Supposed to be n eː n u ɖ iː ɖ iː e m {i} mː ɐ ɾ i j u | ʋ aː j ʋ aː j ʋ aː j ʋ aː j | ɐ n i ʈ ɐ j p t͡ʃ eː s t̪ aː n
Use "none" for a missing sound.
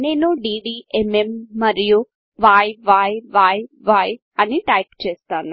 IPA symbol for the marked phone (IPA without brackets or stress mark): e